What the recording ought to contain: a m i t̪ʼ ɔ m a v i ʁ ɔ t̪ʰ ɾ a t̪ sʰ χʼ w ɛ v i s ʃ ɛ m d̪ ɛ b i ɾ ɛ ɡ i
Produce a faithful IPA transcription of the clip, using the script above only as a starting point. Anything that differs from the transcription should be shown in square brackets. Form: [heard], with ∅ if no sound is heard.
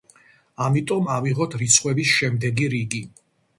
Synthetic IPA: a m i t̪ʼ ɔ m a v i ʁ ɔ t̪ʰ ɾ [i] t̪ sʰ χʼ w ɛ [b] i s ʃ ɛ m d̪ ɛ [ɡ] i ɾ [i] ɡ i